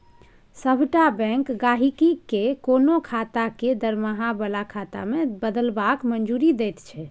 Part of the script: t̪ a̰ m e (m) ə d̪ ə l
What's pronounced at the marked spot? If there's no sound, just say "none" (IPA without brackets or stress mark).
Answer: b